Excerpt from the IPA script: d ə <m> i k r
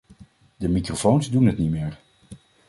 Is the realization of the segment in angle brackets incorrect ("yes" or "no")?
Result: no